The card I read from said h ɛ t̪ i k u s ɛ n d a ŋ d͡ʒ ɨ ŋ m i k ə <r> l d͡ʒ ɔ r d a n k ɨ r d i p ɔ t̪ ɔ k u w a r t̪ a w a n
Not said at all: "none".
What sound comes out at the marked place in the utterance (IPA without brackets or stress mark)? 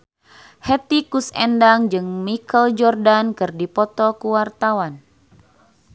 none